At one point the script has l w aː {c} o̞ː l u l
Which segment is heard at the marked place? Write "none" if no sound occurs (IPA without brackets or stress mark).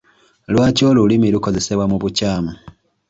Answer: c